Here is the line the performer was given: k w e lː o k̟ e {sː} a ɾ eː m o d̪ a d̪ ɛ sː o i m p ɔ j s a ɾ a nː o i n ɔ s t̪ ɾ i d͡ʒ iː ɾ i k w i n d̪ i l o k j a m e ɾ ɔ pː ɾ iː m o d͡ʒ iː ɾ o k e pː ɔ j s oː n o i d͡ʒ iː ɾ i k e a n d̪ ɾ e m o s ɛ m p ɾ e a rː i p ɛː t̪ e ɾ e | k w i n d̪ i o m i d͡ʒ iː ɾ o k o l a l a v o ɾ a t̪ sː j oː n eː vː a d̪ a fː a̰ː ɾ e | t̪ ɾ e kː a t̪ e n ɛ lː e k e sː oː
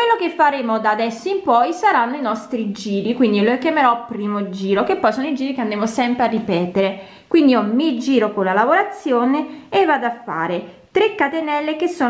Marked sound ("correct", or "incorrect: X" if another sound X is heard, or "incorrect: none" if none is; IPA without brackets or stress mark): incorrect: fː